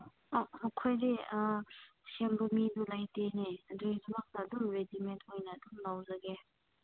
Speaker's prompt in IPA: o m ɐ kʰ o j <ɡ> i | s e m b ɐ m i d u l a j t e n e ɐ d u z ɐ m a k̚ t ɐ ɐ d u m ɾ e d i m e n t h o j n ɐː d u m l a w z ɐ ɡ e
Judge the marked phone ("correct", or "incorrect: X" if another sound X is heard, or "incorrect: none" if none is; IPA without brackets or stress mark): incorrect: d